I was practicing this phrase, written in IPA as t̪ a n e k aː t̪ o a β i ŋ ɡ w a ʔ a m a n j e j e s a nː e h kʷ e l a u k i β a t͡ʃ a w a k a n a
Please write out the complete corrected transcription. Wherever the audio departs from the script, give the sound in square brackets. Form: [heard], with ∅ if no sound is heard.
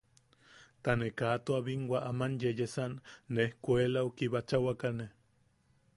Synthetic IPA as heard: t̪ a n e k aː t̪ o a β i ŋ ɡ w a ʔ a m a n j e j e s a nː e h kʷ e l a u k i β a t͡ʃ a w a k a n [e]